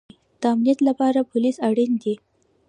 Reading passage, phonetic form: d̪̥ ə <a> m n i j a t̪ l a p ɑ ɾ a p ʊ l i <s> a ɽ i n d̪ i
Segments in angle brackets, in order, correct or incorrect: correct, correct

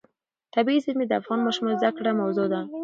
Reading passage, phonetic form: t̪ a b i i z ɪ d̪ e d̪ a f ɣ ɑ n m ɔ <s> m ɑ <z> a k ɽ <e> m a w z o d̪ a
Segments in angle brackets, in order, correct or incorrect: incorrect, correct, incorrect

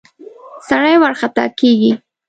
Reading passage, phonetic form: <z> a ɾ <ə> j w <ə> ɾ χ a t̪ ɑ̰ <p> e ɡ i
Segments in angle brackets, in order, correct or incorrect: incorrect, incorrect, incorrect, incorrect

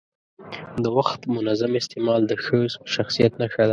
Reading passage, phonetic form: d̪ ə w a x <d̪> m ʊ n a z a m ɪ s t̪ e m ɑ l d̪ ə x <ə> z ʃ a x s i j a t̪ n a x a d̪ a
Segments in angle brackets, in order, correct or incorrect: incorrect, correct

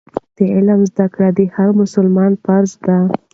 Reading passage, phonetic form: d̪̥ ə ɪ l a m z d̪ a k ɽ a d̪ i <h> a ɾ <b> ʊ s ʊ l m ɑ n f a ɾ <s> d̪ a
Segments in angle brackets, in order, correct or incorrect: correct, incorrect, incorrect

